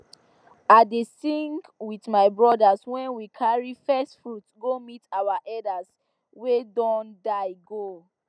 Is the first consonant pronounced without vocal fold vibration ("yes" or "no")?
no